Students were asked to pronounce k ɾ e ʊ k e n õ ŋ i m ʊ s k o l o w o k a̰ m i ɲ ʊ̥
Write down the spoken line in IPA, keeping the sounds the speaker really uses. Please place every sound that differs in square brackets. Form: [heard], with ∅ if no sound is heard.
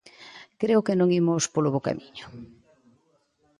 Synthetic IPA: k ɾ e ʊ k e n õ ŋ i m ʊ s [p] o l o [β] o k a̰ m i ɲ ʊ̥